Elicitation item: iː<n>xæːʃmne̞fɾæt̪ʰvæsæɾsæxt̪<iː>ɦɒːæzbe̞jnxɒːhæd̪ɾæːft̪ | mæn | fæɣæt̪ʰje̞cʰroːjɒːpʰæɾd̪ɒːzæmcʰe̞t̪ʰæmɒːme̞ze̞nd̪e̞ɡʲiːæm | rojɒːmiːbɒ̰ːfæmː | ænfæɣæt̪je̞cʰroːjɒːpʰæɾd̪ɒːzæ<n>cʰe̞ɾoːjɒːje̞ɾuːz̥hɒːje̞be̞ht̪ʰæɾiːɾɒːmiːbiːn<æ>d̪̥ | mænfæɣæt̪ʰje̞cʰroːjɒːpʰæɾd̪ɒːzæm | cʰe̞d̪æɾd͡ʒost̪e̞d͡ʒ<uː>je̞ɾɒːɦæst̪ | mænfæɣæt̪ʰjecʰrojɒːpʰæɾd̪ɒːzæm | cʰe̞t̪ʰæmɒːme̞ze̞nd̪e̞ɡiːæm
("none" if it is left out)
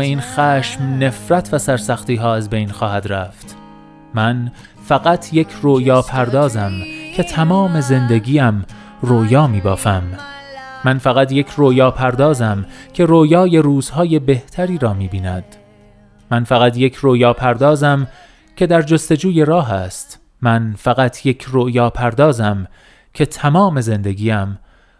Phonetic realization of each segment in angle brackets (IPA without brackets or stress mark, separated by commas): n, iː, m, æ, uː